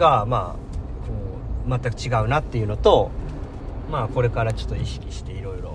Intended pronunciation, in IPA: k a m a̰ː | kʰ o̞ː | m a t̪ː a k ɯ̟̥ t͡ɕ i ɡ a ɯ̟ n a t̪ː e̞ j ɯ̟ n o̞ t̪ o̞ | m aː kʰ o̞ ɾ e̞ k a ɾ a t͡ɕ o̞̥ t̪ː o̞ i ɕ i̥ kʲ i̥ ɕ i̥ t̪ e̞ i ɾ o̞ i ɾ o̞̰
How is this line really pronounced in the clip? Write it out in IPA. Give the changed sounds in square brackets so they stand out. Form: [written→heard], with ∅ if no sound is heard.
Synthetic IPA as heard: [k→ɡ] a m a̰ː | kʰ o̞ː | m a t̪ː a k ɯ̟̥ t͡ɕ i ɡ a ɯ̟ n a t̪ː e̞ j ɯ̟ n o̞ t̪ o̞ | m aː [kʰ→k] o̞ ɾ e̞ k a ɾ a t͡ɕ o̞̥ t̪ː o̞ i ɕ i̥ kʲ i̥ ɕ i̥ t̪ e̞ i ɾ o̞ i ɾ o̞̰